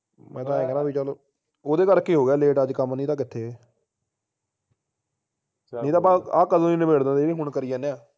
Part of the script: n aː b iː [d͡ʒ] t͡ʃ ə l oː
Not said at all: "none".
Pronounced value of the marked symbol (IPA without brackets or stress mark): none